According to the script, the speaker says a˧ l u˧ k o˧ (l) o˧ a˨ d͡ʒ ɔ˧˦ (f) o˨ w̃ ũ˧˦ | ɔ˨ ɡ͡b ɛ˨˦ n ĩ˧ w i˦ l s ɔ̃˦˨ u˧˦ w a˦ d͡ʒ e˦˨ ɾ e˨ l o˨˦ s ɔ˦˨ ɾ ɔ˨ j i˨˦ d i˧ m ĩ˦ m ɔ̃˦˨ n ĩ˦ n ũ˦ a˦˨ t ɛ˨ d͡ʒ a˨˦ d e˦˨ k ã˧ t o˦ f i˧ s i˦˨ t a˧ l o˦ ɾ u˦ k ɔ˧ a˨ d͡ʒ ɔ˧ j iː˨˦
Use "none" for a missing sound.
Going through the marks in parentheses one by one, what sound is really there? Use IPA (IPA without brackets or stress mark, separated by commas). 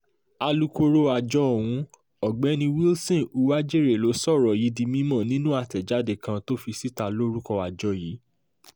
ɾ, none